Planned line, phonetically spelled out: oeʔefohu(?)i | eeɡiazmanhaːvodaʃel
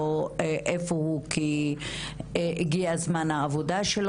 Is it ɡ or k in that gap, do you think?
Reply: k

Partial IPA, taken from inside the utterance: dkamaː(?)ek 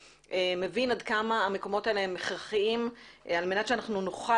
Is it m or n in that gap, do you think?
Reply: m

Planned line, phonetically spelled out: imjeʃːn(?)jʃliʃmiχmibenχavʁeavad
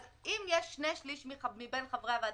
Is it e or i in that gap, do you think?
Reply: e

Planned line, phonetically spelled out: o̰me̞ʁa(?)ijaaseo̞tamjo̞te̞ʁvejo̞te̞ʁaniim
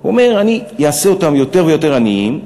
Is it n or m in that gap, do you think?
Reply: n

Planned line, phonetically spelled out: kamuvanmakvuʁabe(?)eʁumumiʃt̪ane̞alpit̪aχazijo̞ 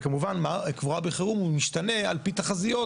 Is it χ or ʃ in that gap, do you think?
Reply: χ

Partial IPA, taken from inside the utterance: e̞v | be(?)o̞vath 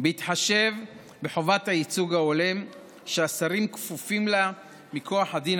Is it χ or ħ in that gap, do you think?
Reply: ħ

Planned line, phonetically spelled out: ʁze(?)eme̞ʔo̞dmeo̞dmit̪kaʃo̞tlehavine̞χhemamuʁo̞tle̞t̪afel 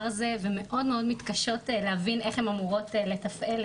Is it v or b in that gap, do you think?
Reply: v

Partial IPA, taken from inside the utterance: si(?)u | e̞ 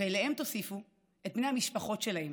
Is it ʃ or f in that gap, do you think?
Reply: f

